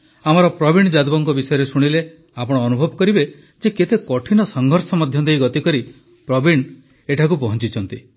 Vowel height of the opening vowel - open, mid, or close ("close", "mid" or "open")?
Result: open